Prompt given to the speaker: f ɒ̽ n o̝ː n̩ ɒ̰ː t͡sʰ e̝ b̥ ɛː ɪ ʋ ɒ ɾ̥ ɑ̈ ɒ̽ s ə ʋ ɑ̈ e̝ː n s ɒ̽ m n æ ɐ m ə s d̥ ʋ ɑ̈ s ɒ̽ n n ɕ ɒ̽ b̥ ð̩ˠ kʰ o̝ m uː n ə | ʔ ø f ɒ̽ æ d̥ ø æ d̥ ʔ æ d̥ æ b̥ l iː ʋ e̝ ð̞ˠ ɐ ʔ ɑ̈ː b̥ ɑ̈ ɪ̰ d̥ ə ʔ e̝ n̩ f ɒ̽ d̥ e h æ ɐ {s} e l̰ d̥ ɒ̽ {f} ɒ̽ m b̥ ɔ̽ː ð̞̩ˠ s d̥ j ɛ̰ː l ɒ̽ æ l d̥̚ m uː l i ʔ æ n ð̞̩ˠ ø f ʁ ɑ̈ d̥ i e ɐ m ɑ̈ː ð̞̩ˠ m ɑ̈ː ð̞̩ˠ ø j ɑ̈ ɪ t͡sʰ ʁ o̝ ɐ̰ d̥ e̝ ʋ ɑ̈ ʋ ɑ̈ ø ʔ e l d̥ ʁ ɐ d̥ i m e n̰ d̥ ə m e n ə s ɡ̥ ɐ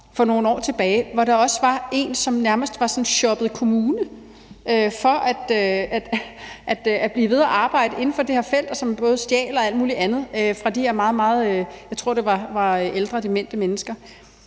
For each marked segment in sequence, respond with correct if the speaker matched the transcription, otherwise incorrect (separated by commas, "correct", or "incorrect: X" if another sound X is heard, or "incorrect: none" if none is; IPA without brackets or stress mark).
incorrect: f, incorrect: s